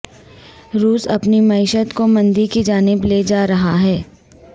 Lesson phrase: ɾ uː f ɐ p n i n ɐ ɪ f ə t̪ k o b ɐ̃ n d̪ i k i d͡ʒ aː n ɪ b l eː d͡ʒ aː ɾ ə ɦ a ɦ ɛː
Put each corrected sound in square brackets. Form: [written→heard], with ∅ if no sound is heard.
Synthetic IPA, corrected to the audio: ɾ uː [f→s] ɐ p n i [n→m] ɐ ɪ [f→ʃ] ə t̪ k o [b→m] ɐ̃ n d̪ i k i d͡ʒ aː n ɪ b l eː d͡ʒ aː ɾ [ə→ɐ] ɦ a ɦ ɛː

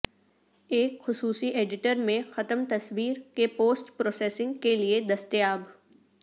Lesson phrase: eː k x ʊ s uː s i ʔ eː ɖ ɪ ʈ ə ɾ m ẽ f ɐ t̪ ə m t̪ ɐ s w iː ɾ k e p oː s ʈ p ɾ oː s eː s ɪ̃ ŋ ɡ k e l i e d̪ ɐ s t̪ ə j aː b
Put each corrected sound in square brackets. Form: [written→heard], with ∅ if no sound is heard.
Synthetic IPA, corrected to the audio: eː k x ʊ s uː s i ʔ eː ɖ ɪ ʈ ə ɾ m ẽ [f→x] ɐ t̪ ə m t̪ ɐ s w iː ɾ k e p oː s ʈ p ɾ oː s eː s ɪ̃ ŋ ɡ k e l i e d̪ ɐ s t̪ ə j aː b

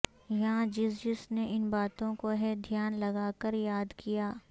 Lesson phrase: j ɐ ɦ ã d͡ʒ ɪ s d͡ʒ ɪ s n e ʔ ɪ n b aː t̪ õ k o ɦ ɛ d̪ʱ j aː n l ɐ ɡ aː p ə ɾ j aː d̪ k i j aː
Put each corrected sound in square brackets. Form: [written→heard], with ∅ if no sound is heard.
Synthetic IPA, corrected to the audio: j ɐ ɦ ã d͡ʒ ɪ s d͡ʒ ɪ s n e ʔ ɪ n b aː t̪ õ k o ɦ ɛ d̪ʱ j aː n l ɐ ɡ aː [p→k] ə ɾ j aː d̪ k i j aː

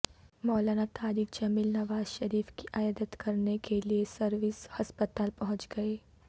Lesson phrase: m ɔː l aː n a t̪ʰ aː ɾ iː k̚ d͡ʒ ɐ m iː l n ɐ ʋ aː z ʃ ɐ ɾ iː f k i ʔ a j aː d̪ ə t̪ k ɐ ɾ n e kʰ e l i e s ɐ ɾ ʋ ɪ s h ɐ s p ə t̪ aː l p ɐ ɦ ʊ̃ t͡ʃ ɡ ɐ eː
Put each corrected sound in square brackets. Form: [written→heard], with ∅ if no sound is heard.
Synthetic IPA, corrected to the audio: m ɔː l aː n a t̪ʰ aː ɾ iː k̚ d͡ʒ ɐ m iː l n ɐ ʋ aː z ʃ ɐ ɾ iː f k i ʔ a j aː d̪ ə t̪ k ɐ ɾ n e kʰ e l i e s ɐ ɾ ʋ ɪ s h ɐ s p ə t̪ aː l p ɐ ɦ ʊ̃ t͡ʃ ɡ ɐ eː

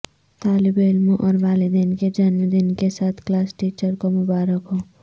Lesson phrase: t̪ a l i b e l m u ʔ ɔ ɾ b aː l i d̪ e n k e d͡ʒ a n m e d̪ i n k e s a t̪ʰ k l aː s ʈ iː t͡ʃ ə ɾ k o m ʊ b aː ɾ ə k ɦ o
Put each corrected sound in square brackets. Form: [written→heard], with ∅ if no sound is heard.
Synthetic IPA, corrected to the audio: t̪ a l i b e l m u ʔ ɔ ɾ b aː l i d̪ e n k e d͡ʒ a n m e d̪ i n k e s a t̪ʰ k l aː s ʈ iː t͡ʃ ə ɾ k o m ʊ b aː ɾ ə k ɦ o

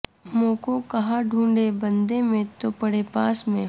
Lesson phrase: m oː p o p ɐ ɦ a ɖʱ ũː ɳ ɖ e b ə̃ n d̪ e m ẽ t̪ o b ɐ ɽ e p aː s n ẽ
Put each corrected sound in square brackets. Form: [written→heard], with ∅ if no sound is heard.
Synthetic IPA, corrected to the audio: m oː [p→k] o [p→k] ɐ ɦ a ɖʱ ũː ɳ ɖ e b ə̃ n d̪ e m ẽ t̪ o [b→p] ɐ ɽ e p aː s [n→m] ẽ

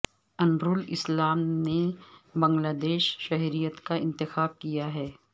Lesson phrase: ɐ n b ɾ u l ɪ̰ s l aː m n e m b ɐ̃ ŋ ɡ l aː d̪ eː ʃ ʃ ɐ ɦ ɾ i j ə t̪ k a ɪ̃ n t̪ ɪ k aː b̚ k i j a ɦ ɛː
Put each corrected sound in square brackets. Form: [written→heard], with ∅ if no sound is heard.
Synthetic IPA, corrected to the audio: ɐ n b ɾ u l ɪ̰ s l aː m n e [m→∅] b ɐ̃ ŋ ɡ l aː d̪ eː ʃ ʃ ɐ ɦ ɾ i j ə t̪ k a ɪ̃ n t̪ ɪ [k→x] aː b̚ k i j a ɦ ɛː

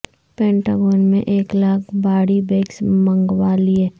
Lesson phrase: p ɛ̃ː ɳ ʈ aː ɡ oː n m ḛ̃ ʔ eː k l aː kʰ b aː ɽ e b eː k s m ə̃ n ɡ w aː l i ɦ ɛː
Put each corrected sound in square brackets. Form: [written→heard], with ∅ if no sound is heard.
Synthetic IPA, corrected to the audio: p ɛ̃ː ɳ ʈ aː ɡ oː n m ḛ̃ ʔ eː k l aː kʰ b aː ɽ [e→i] b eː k s m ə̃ [n→ŋ] ɡ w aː l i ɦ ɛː

